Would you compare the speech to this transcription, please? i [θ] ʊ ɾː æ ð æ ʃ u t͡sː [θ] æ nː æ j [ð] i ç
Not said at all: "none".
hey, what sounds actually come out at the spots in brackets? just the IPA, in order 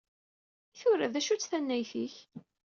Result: θ, θ, θ

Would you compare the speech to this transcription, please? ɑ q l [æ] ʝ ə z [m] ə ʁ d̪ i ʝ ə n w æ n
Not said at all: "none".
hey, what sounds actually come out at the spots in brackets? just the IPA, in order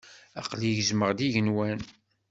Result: i, m

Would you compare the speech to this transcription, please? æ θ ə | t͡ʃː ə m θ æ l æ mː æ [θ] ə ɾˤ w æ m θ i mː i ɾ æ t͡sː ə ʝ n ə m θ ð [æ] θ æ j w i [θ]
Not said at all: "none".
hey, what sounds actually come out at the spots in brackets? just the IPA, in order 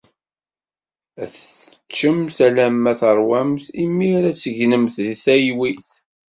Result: θ, i, θ

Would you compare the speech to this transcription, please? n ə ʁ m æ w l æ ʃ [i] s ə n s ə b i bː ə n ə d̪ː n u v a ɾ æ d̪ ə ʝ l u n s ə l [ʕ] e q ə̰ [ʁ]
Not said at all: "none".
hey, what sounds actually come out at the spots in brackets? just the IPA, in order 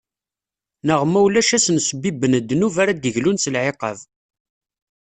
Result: æ, ʕ, v

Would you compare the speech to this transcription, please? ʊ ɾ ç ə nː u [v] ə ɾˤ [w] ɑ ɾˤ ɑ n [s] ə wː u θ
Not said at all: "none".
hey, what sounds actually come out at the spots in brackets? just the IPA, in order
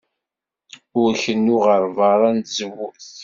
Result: ʁ, v, z

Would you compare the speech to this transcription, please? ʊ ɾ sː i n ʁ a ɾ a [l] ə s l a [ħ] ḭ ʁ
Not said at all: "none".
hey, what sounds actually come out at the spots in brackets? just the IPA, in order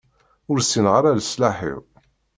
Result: l, ħ

